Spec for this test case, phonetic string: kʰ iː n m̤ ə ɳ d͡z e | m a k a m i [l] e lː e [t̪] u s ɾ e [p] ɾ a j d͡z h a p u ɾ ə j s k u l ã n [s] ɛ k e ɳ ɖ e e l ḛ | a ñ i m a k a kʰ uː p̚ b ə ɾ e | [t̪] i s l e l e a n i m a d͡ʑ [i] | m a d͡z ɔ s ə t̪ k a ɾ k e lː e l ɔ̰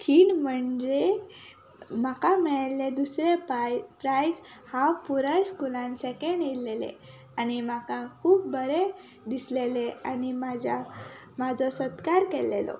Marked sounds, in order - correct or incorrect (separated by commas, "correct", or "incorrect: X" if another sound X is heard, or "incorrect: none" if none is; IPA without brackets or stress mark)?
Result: incorrect: ɭ, incorrect: d̪, correct, correct, incorrect: d̪, incorrect: a